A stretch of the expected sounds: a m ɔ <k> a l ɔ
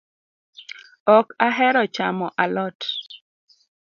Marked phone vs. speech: incorrect: ʔ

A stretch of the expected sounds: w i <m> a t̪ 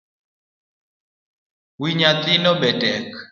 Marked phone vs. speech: incorrect: ɲ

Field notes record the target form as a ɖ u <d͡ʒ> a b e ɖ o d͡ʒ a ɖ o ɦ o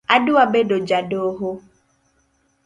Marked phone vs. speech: incorrect: none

